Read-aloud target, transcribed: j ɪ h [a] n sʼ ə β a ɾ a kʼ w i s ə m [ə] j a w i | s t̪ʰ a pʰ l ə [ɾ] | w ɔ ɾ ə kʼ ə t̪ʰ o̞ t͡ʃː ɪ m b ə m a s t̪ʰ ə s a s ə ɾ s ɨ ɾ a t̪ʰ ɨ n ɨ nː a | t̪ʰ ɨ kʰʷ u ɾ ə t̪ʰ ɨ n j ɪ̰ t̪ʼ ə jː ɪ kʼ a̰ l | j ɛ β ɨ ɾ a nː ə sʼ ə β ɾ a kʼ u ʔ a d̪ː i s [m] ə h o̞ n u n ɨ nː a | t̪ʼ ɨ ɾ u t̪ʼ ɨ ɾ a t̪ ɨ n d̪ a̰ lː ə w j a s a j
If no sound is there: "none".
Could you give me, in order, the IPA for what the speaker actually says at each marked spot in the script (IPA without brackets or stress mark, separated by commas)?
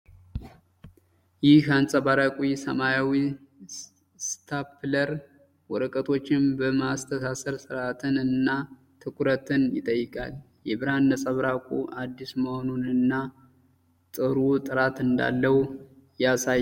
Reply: a, a, ɾ, m